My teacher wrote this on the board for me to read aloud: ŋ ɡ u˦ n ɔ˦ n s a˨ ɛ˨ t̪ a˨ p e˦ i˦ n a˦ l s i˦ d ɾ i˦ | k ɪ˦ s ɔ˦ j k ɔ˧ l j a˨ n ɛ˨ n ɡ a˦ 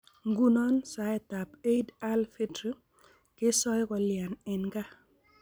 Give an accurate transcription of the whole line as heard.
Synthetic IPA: ŋ ɡ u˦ n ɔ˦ n s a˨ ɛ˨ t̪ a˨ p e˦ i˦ d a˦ l f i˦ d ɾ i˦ | k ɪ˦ s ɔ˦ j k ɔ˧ l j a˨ n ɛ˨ n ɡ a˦